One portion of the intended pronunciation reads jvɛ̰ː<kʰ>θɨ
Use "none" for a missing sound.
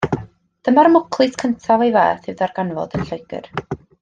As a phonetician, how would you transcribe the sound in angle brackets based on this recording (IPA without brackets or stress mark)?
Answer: none